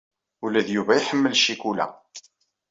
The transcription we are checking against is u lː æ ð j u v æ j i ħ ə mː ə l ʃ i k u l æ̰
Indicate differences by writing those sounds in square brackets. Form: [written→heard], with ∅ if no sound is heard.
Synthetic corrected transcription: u [lː→l] æ ð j u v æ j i ħ ə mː ə l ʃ i k u l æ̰